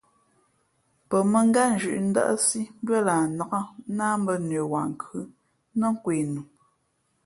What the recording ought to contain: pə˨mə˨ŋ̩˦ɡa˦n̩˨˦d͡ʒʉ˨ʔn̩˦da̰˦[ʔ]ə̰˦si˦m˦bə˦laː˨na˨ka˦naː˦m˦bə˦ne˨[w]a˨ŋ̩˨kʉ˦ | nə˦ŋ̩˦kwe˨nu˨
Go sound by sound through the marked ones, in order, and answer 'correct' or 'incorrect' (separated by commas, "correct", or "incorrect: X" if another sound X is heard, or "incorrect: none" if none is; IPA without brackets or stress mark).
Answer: correct, correct